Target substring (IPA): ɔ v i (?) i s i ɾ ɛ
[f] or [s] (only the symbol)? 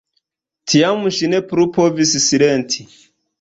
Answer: s